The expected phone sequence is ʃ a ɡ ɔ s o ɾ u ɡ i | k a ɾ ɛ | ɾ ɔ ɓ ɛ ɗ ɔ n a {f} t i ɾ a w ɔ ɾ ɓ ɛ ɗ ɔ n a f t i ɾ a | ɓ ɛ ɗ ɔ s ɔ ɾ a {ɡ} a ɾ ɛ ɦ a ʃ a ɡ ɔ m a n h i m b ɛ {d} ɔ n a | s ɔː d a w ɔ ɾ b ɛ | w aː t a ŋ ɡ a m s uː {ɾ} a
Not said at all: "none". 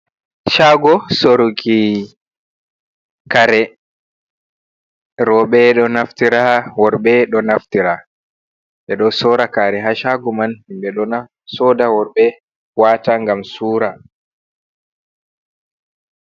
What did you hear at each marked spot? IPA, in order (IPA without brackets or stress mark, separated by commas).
f, k, ɗ, ɾ